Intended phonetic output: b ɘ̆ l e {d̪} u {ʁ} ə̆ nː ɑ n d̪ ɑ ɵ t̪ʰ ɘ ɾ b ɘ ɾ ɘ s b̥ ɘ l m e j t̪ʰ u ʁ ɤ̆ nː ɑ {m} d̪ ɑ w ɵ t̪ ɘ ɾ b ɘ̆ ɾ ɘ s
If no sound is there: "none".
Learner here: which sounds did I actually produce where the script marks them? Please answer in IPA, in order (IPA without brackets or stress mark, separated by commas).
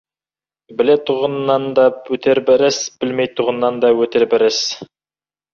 t̪, ʁ, n